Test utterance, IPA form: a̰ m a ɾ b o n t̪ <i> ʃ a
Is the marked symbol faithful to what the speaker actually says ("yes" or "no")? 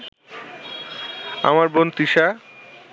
yes